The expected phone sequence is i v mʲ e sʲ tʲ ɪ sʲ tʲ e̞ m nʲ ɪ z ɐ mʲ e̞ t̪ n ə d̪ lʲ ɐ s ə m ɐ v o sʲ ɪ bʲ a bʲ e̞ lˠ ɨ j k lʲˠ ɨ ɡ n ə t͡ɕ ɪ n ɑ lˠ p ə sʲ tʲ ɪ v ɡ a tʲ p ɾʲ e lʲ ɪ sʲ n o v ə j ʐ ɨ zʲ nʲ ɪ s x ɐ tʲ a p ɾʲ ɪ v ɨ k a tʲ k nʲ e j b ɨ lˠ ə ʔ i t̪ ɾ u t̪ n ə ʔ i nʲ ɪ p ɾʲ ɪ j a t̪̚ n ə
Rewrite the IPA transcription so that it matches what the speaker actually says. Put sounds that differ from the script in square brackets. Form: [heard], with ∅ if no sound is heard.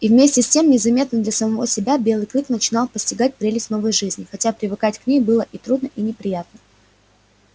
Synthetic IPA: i v mʲ e sʲ tʲ ɪ sʲ tʲ e̞ m nʲ ɪ z ɐ mʲ e̞ t̪ n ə d̪ lʲ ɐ s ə m ɐ v o sʲ ɪ bʲ a bʲ e̞ lˠ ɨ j k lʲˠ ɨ [k] n ə t͡ɕ ɪ n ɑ lˠ p ə sʲ tʲ ɪ [∅] ɡ a tʲ p ɾʲ e lʲ ɪ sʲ n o v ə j ʐ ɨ zʲ nʲ ɪ [∅] x ɐ tʲ a p ɾʲ ɪ v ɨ k a tʲ k nʲ e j b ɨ lˠ ə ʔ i t̪ ɾ u [d̪] n ə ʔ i nʲ ɪ p ɾʲ ɪ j a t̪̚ n ə